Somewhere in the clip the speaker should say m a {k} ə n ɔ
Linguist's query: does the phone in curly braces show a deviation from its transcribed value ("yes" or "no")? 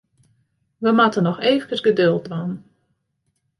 yes